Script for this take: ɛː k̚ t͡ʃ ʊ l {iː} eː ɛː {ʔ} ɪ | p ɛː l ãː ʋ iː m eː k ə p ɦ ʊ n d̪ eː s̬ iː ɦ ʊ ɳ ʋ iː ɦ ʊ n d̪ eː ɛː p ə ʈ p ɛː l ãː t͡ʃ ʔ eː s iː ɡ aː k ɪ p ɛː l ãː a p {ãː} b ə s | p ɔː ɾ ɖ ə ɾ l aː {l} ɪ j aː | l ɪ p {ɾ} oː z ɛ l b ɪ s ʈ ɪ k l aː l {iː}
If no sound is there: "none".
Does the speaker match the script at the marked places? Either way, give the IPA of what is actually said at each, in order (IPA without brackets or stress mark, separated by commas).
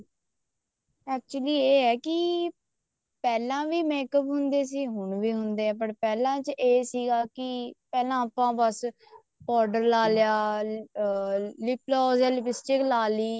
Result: iː, k, ãː, l, l, iː